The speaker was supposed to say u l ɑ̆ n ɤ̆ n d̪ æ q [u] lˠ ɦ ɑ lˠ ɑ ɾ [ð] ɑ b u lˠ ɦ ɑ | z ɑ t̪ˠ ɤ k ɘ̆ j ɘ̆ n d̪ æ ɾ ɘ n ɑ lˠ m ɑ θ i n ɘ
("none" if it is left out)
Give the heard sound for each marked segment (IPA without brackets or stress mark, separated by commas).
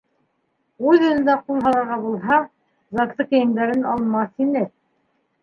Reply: u, ʁ